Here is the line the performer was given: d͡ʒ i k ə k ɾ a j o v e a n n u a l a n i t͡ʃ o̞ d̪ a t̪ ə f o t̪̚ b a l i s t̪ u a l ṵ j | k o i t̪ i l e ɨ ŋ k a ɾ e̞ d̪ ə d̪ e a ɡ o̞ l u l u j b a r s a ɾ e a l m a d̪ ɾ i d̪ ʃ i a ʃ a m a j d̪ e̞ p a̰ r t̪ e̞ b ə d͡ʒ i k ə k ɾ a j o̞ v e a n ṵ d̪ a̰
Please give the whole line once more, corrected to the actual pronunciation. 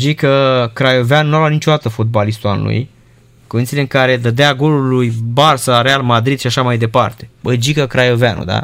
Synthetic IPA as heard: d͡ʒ i k ə k ɾ a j o v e a n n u a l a n i t͡ʃ o̞ d̪ a t̪ ə f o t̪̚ b a l i s t̪ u a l ṵ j | k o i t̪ i l e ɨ ŋ k a ɾ e̞ d̪ ə d̪ e a ɡ o̞ l u l u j b a r s a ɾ e a l m a d̪ ɾ i d̪ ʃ i a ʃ a m a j d̪ e̞ p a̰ r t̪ e̞ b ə d͡ʒ i k ə k ɾ a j o̞ v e a n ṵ d̪ a̰